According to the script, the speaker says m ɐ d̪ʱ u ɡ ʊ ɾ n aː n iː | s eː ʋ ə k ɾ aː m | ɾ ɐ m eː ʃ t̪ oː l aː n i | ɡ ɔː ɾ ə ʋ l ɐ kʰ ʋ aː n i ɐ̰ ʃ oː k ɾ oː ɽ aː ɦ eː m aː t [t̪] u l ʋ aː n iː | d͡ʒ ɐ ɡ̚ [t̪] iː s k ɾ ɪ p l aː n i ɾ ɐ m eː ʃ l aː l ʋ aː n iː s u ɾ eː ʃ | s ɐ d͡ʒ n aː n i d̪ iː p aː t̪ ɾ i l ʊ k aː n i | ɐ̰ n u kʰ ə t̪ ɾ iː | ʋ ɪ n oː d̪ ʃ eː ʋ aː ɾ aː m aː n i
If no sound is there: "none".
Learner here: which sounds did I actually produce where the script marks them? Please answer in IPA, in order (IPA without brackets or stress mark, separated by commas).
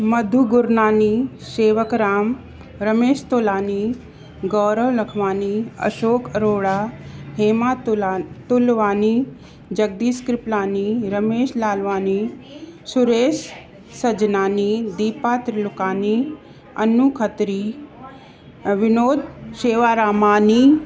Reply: t̪, d̪